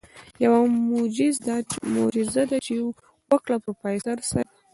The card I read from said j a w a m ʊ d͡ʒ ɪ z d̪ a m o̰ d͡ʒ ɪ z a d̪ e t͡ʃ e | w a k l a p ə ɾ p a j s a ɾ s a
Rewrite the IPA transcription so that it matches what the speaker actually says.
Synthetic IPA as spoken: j a w a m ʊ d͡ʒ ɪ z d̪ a m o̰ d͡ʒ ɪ z a d̪ a t͡ʃ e | w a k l a p ə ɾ p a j s a ɾ s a